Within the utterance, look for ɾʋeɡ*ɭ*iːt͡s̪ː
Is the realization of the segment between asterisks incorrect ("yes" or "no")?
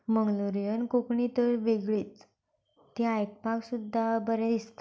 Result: no